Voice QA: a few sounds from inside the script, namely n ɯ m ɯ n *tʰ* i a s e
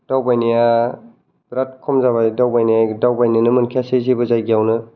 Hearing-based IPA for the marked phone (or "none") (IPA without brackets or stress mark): kʰ